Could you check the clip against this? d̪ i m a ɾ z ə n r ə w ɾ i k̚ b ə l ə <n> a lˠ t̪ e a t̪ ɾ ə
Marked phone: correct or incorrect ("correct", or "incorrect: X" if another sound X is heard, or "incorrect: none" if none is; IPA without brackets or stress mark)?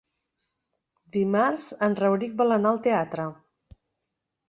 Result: correct